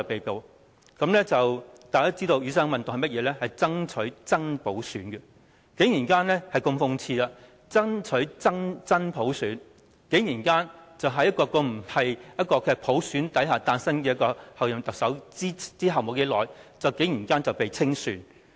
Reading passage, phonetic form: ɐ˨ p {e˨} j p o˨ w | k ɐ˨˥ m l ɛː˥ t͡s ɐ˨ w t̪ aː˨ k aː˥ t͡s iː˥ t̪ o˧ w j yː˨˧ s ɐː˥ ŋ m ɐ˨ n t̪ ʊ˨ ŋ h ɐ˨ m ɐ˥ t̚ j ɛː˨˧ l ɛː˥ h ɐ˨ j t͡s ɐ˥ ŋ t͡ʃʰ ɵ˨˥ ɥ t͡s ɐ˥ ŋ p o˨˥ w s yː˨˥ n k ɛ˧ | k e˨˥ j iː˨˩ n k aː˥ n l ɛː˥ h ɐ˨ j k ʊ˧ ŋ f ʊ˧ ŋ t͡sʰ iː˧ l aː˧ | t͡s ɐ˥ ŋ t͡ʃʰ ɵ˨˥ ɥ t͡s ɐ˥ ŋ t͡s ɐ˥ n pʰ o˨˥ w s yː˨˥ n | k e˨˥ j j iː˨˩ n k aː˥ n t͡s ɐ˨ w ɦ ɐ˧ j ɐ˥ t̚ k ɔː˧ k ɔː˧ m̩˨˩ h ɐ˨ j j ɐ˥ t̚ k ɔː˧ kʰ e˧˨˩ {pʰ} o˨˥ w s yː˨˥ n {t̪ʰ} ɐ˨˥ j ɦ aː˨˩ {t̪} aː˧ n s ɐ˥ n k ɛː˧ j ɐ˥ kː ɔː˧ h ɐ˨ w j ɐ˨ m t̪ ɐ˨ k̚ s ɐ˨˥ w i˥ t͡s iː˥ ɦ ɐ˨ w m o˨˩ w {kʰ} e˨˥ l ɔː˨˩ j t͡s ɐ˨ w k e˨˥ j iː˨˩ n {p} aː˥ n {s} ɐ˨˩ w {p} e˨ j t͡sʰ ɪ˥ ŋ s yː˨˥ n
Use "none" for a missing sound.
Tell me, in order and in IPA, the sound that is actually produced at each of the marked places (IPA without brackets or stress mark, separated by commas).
e˨, pʰ, t̪, t̪, k, k, t͡s, p